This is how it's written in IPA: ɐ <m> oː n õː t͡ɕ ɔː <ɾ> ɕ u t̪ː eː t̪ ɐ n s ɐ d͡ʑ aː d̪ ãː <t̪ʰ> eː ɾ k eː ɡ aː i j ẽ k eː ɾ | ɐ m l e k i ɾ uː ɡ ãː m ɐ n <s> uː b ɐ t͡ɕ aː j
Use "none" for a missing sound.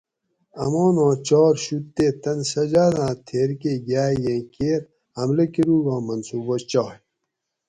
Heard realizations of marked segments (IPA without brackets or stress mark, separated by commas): m, ɾ, t̪ʰ, s